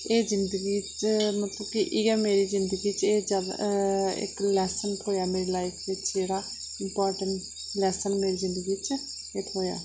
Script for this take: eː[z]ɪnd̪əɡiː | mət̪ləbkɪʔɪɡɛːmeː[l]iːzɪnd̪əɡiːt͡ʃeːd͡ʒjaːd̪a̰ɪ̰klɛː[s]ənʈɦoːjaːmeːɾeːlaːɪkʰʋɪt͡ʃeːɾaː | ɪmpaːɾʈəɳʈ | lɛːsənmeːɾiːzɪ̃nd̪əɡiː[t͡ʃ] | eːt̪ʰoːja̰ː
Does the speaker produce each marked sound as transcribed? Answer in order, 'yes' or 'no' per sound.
yes, no, yes, yes

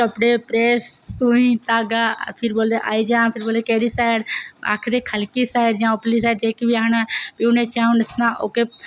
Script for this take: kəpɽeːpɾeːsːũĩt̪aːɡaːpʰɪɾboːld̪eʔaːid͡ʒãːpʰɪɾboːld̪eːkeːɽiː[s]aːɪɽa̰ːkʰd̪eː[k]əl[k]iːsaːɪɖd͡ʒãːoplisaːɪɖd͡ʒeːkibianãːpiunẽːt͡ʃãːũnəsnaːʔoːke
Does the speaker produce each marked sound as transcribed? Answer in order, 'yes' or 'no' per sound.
yes, no, yes

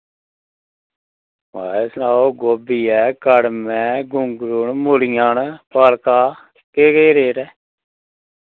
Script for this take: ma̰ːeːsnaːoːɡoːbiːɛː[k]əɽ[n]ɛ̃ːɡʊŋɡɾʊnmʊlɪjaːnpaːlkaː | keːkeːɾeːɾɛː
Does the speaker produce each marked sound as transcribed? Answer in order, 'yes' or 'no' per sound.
yes, no

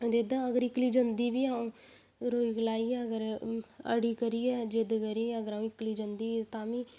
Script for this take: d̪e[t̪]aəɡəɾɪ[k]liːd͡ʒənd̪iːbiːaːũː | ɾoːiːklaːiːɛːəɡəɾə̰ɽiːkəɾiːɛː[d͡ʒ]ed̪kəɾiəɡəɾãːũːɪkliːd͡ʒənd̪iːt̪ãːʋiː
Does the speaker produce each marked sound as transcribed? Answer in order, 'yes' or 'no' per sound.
no, yes, yes

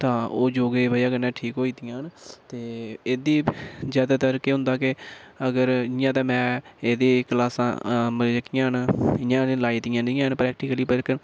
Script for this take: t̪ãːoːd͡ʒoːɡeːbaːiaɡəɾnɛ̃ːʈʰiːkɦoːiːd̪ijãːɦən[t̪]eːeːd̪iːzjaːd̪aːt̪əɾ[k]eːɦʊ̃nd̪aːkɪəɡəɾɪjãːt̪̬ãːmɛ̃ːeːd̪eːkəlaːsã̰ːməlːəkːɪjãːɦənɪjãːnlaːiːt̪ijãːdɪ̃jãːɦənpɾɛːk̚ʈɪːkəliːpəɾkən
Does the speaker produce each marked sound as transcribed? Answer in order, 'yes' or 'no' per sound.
yes, yes

